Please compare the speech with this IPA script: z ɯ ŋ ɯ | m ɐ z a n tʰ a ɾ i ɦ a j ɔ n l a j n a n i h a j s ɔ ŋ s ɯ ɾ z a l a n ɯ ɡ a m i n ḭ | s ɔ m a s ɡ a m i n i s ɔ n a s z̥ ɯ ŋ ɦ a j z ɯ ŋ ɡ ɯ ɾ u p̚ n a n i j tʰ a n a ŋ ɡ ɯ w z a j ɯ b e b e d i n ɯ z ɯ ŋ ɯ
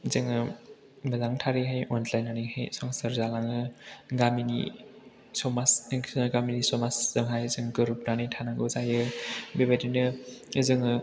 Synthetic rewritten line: z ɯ ŋ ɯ | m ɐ z a ŋ tʰ a ɾ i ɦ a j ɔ n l a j n a n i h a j s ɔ ŋ s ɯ ɾ z a l a ŋ ɯ ɡ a m i n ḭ | s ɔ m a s ɡ a m i n i s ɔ m a s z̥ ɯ ŋ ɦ a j z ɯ ŋ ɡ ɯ ɾ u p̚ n a n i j tʰ a n a ŋ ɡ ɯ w z a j ɯ b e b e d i n ɯ z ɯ ŋ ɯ